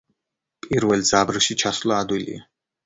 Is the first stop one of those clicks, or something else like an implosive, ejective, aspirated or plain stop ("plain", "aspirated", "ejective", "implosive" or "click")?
ejective